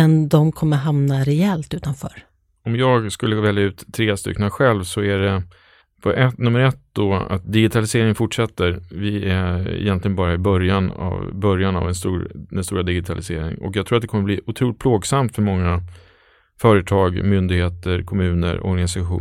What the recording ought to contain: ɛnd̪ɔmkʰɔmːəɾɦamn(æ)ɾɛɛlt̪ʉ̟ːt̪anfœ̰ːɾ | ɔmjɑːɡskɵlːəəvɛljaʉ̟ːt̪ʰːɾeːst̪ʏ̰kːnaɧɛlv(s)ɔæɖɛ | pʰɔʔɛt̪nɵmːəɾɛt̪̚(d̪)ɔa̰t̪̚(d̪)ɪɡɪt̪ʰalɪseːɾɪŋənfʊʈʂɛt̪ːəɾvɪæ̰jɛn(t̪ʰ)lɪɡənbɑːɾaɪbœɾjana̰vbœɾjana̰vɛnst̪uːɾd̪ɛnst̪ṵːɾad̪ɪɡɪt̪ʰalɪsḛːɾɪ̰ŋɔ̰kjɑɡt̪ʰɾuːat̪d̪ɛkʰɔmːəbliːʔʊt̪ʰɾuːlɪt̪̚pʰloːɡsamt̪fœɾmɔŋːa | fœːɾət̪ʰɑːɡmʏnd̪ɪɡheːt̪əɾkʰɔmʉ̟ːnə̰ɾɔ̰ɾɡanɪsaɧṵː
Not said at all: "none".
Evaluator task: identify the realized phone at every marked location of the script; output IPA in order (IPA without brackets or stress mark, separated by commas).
a, s, d̪, d̪, t̪